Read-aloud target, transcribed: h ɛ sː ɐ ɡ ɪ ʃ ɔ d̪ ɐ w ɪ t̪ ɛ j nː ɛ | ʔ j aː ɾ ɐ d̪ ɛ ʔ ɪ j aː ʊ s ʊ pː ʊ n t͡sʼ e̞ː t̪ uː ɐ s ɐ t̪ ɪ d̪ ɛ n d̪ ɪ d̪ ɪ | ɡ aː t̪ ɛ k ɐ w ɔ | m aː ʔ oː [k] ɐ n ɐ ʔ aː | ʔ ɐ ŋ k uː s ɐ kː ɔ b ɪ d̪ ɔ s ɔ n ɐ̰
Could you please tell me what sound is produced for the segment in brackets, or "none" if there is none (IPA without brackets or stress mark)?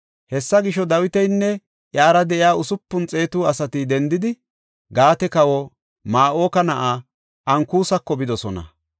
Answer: k